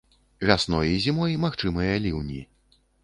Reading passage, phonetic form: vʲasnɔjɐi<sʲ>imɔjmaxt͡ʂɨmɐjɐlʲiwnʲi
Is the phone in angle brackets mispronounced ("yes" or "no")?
yes